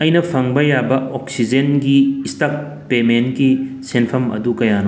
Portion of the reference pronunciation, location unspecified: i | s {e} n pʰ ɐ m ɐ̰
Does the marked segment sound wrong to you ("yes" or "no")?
no